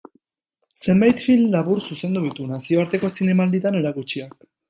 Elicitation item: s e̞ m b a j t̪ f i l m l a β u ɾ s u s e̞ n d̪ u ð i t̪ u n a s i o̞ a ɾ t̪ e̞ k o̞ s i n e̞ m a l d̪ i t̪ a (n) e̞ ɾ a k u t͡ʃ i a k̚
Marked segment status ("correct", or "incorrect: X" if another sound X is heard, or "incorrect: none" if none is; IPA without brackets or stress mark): correct